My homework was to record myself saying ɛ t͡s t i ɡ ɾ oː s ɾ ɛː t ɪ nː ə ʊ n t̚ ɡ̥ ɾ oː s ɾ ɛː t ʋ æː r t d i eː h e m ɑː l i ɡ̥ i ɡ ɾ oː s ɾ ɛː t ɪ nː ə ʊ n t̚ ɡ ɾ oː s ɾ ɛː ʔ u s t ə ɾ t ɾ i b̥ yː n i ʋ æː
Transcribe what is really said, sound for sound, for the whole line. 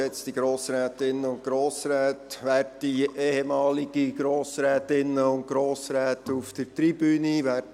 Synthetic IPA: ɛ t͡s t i ɡ ɾ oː s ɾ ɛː t ɪ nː ə ʊ n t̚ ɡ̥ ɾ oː s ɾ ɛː t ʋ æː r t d i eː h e m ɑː l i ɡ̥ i ɡ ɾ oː s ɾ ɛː t ɪ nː ə ʊ n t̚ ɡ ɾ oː s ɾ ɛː t u f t ə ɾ t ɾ i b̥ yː n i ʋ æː